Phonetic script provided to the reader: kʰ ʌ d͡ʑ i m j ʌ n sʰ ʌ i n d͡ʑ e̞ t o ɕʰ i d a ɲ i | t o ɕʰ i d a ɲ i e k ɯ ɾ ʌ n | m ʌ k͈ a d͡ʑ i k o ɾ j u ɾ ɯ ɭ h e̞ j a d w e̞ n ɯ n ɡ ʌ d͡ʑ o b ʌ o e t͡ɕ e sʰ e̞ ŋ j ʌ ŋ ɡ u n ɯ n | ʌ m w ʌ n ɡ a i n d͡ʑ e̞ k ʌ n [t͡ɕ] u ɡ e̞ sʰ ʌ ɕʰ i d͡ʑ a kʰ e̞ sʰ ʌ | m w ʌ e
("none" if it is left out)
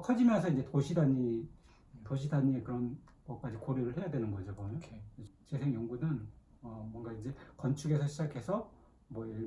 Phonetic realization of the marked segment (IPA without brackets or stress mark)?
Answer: t͡ɕʰ